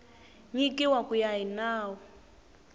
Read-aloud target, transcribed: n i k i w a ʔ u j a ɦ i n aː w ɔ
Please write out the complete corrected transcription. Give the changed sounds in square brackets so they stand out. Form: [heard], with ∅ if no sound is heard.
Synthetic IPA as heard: [ɲ] i k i w a [k] u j a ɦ i n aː w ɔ